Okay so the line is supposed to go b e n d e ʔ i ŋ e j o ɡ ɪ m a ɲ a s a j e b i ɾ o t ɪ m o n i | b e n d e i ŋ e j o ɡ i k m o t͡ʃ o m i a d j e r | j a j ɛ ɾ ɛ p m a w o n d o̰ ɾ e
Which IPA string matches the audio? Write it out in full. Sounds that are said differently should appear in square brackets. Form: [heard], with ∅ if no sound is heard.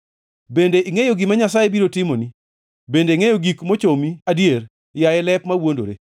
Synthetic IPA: b e n d e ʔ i ŋ e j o ɡ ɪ m a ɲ a s a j e b i ɾ o t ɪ m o n i | b e n d e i ŋ e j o ɡ i k m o t͡ʃ o m i a d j e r | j a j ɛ [l] ɛ p m a w o n d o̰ ɾ e